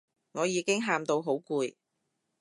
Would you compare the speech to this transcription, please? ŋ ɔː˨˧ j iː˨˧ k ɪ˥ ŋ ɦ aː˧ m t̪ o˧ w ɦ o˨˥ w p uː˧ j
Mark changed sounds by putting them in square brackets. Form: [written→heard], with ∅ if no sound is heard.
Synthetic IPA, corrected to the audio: ŋ ɔː˨˧ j iː˨˧ k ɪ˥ ŋ ɦ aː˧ m t̪ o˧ w ɦ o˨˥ w [p→k] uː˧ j